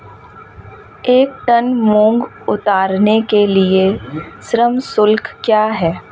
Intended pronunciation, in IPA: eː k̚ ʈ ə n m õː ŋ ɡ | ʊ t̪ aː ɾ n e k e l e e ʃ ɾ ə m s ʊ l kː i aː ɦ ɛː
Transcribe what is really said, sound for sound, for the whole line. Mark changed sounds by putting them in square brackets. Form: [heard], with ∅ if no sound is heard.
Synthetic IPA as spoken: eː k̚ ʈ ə n m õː ŋ ɡ | ʊ t̪ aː ɾ n e k e l [i] e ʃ ɾ ə m s ʊ l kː [j] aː ɦ ɛː